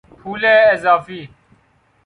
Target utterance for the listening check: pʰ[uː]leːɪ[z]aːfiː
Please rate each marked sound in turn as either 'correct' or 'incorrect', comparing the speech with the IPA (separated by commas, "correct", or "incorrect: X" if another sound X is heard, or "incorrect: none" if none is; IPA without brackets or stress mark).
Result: correct, correct